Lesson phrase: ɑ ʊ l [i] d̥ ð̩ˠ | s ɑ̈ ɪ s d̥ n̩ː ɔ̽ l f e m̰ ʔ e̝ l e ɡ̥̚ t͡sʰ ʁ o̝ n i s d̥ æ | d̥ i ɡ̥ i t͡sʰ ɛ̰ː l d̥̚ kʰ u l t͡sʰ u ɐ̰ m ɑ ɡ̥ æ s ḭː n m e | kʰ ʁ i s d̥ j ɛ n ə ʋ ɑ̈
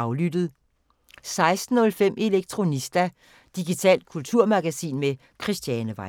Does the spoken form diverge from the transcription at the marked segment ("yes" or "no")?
yes